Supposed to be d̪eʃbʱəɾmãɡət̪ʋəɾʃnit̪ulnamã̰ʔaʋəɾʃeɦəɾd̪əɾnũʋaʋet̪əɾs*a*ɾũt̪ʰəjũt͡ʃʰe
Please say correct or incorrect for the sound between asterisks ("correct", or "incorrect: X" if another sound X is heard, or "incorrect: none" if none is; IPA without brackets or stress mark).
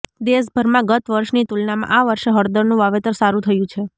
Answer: correct